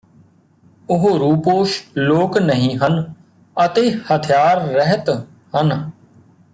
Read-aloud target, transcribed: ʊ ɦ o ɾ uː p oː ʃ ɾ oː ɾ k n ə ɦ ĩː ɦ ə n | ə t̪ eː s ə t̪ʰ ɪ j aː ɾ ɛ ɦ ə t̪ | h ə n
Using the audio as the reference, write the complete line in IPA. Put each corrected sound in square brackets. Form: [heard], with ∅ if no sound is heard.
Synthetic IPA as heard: ʊ ɦ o ɾ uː p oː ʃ [l] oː [∅] k n ə ɦ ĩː ɦ ə n | ə t̪ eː [h] ə t̪ʰ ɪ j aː [ɾː] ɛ ɦ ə t̪ | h ə n